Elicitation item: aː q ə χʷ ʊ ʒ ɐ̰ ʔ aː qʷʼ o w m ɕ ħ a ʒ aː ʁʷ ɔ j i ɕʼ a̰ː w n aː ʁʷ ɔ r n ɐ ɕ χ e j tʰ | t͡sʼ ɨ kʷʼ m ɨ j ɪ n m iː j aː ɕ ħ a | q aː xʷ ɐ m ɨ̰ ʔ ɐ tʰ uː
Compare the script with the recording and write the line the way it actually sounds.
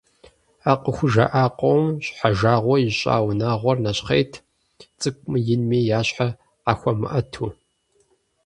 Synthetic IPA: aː q ə xʷ ʊ ʒ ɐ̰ ʔ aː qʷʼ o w m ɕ ħ a ʒ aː ʁʷ ɔ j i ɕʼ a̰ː w n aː ʁʷ ɔ r n ɐ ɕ χ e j tʰ | t͡sʼ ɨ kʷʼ m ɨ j ɪ n m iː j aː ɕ ħ a | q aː xʷ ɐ m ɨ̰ ʔ ɐ tʰ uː

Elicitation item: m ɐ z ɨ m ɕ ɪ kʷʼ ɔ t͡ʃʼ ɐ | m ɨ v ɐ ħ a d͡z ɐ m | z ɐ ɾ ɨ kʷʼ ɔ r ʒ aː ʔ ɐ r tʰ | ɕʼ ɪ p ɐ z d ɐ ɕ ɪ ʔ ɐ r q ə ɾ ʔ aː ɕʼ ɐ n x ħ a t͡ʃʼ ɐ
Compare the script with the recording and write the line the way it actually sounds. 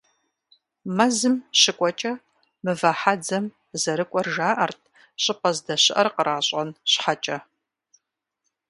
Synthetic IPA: m ɐ z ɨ m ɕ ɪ kʷʼ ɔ t͡ʃʼ ɐ | m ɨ v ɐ ħ a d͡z ɐ m | z ɐ ɾ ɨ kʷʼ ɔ r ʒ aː ʔ ɐ r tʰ | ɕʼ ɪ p ɐ z d ɐ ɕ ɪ ʔ ɐ r q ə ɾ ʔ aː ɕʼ ɐ n ɕ ħ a t͡ʃʼ ɐ

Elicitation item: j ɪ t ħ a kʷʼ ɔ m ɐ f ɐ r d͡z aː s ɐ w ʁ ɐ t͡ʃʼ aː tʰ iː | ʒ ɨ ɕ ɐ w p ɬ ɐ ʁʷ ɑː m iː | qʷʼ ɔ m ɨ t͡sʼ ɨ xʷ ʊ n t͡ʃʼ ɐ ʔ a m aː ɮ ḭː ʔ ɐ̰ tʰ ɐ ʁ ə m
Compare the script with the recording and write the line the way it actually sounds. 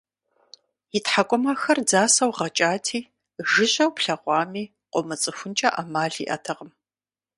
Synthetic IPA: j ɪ t ħ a kʷʼ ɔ m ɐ x ɐ r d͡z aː s ɐ w ʁ ɐ t͡ʃʼ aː tʰ iː | ʒ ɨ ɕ ɐ w p ɬ ɐ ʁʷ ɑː m iː | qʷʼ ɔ m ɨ t͡sʼ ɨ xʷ ʊ n t͡ʃʼ ɐ ʔ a m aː ɮ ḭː ʔ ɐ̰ tʰ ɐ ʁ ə m

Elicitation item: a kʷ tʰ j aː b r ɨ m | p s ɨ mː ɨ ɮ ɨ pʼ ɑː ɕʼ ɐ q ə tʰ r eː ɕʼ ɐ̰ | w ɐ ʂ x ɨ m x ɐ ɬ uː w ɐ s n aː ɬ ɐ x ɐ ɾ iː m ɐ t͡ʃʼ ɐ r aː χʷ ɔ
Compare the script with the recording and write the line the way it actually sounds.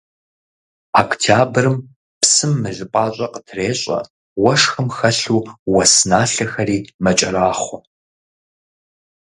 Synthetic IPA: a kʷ tʰ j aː b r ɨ m | p s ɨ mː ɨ ɮ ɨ pʼ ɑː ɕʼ ɐ q ə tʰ r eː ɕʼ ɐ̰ | w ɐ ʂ x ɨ m x ɐ ɬ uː w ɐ s n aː ɬ ɐ x ɐ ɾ iː m ɐ t͡ʃʼ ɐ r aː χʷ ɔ

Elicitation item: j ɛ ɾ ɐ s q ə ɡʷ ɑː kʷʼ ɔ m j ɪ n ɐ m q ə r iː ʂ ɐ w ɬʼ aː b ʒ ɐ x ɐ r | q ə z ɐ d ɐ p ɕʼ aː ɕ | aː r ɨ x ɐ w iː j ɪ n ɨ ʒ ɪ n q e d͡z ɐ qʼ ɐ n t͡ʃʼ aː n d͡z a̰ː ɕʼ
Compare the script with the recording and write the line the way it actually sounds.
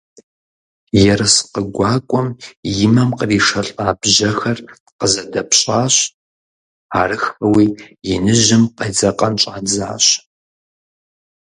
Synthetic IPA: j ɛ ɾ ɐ s q ə ɡʷ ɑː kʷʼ ɔ m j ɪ m ɐ m q ə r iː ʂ ɐ ɬʼ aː b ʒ ɐ x ɐ r | q ə z ɐ d ɐ p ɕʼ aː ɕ | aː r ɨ x ɐ w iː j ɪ n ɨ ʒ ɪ m q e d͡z ɐ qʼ ɐ n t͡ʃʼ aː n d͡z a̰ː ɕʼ

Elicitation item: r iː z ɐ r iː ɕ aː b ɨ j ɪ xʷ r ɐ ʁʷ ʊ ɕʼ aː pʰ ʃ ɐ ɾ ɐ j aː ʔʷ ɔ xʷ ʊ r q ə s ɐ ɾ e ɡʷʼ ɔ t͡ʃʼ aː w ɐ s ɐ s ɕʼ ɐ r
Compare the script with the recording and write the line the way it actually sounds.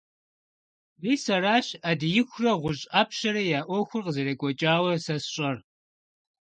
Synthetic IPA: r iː s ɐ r aː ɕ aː d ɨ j ɪ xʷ r ɐ ʁʷ ʊ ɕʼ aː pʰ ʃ ɐ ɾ ɐ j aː ʔʷ ɔ xʷ ʊ r q ə z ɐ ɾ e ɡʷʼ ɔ t͡ʃʼ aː w ɐ s ɐ s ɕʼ ɐ r

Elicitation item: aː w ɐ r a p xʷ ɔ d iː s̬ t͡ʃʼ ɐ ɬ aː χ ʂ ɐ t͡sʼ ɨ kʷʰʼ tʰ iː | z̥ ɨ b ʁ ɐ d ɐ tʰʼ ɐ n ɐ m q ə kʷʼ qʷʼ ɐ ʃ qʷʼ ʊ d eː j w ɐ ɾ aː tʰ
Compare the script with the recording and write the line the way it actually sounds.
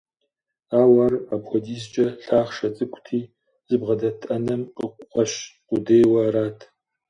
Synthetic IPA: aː w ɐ r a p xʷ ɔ d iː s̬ t͡ʃʼ ɐ ɬ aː χ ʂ ɐ t͡sʼ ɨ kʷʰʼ tʰ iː | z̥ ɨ b ʁ ɐ d ɐ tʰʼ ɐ n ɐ m q ə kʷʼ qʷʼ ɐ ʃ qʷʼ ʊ d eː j w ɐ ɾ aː tʰ

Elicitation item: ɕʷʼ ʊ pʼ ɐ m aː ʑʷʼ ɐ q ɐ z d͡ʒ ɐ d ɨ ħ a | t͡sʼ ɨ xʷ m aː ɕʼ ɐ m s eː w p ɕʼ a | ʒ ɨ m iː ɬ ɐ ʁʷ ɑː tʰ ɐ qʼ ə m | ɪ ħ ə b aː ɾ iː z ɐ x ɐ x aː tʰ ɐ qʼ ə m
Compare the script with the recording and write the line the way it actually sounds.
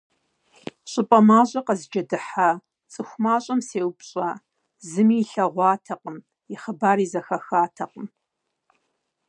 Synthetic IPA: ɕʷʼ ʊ pʼ ɐ m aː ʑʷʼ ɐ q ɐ z d͡ʒ ɐ d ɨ ħ a | t͡sʼ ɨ xʷ m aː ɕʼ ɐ m s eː w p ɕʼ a | z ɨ m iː ɬ ɐ ʁʷ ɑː tʰ ɐ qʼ ə m | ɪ χ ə b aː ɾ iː z ɐ x ɐ x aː tʰ ɐ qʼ ə m

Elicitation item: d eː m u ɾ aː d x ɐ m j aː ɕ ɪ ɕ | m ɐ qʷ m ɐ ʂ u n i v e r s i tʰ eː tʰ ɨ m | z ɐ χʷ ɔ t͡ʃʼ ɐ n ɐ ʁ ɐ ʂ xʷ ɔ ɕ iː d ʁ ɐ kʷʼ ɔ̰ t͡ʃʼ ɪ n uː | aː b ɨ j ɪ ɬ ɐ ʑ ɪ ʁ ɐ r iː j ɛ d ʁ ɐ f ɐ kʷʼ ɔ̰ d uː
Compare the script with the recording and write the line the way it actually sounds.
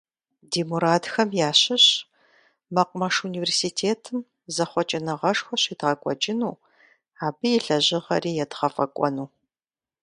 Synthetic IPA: d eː m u ɾ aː d x ɐ m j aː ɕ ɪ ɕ | m ɐ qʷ m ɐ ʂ u n i v e r s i tʰ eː tʰ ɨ m | z ɐ χʷ ɔ t͡ʃʼ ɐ n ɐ ʁ ɐ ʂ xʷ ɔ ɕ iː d ʁ ɐ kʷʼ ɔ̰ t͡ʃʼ ɪ n uː | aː b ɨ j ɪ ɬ ɐ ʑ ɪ ʁ ɐ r iː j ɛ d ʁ ɐ f ɐ kʷʼ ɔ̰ n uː

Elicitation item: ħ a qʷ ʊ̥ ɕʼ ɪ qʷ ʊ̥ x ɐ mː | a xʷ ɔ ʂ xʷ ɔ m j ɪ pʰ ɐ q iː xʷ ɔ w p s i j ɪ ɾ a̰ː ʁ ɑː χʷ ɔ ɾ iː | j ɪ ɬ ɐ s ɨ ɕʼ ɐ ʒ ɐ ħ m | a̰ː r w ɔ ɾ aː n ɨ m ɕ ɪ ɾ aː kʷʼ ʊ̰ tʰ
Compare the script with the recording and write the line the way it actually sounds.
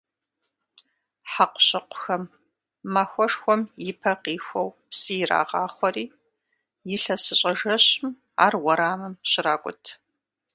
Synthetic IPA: ħ a qʷ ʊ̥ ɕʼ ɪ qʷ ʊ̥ x ɐ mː | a xʷ ɔ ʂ xʷ ɔ m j ɪ pʰ ɐ q iː xʷ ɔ w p s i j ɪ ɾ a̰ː ʁ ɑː χʷ ɔ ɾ iː | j ɪ ɬ ɐ s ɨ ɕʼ ɐ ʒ ɐ ɕ m | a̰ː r w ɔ ɾ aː m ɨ m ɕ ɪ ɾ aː kʷʼ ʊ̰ tʰ

